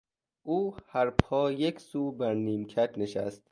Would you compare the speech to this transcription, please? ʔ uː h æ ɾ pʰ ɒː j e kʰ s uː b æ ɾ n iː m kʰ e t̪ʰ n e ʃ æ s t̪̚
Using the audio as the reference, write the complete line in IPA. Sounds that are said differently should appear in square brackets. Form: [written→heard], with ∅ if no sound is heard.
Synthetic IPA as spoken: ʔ uː h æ ɾ pʰ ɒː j e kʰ s uː b æ ɾ n iː m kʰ [e→æ] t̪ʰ n e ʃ æ s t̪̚